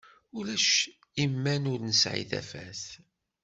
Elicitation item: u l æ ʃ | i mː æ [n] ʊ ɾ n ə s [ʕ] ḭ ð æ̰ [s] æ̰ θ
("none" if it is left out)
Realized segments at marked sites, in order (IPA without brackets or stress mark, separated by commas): n, ʕ, f